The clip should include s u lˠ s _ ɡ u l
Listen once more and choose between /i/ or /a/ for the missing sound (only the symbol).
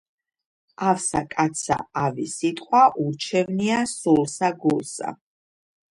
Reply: a